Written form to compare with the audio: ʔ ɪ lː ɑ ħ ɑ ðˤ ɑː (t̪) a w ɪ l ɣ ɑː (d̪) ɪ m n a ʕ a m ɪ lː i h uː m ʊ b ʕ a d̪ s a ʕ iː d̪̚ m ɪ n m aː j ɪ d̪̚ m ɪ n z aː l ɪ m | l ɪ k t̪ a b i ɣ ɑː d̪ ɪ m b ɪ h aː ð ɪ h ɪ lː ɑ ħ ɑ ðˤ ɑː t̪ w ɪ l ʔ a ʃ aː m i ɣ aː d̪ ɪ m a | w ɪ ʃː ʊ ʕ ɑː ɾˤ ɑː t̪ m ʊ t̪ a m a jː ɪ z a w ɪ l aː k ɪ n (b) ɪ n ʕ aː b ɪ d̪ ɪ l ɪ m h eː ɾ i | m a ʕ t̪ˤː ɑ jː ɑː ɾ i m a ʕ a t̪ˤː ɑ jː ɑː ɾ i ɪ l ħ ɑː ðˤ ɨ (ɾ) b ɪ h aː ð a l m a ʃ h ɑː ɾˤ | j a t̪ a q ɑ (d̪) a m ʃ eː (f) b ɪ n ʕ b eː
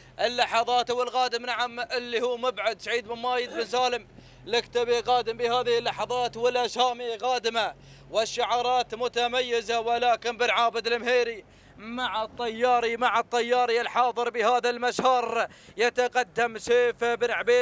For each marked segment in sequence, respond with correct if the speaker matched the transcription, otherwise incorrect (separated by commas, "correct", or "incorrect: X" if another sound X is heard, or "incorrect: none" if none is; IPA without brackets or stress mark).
correct, correct, correct, correct, incorrect: d̪ː, correct